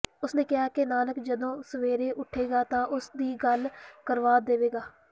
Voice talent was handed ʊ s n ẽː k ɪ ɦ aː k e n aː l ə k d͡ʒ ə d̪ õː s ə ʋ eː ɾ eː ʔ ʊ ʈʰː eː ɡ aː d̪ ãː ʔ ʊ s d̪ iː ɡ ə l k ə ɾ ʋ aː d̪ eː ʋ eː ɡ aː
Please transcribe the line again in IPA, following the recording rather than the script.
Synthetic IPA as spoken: ʊ s n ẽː k ɪ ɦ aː k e n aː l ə k d͡ʒ ə d̪ õː s ə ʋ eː ɾ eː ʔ ʊ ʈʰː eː ɡ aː t̪ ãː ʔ ʊ s d̪ iː ɡ ə l k ə ɾ ʋ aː d̪ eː ʋ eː ɡ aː